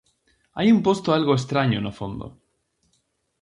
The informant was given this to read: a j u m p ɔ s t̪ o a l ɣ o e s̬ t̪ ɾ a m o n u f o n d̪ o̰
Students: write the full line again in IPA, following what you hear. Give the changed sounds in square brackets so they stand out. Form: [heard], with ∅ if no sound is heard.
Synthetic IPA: a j u m p [o] s t̪ o a l ɣ o e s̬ t̪ ɾ a [ɲ] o n [o] f o n d̪ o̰